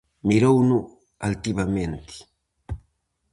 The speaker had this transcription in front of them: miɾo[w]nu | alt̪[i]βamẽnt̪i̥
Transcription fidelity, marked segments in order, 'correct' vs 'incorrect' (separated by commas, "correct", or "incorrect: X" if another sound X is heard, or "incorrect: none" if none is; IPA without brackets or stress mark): correct, correct